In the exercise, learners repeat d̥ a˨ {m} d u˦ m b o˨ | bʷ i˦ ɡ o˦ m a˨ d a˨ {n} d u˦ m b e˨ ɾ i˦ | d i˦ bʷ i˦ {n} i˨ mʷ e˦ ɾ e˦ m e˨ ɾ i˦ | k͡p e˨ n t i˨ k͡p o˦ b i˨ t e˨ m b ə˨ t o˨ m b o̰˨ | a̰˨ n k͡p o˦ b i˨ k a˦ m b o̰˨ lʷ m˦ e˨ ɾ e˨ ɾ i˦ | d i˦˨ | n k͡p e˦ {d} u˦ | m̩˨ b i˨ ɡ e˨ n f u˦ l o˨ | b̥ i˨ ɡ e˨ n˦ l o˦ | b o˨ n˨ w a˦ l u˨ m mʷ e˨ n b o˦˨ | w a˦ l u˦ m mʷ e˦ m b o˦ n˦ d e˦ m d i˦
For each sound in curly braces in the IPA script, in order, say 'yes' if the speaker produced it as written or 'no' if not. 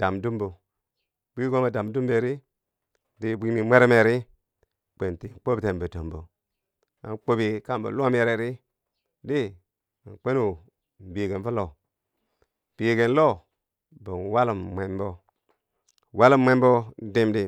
yes, no, no, no

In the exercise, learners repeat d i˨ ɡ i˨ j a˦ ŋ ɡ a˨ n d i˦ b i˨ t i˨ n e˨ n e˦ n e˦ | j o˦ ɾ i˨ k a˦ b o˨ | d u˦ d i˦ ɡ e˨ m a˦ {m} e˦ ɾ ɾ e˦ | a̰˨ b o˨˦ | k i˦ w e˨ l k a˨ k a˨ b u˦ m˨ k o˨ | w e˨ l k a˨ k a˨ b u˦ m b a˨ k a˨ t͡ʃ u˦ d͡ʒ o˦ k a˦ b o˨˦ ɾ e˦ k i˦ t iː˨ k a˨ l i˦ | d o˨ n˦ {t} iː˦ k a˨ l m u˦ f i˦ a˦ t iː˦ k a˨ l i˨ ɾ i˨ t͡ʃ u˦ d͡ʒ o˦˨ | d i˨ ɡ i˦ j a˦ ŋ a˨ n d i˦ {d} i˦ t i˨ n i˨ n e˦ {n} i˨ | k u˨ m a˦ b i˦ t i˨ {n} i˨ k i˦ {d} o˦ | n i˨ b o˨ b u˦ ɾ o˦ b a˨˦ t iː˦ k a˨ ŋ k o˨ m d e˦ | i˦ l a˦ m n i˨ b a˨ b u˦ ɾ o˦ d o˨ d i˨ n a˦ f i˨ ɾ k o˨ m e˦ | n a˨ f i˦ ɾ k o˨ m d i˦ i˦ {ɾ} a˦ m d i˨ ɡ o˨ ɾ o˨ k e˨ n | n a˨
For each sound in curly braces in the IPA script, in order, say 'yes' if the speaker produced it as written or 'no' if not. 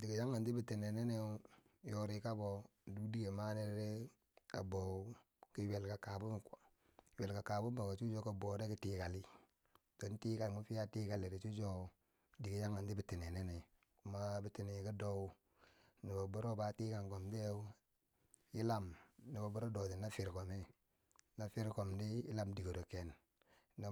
no, yes, no, yes, yes, yes, no

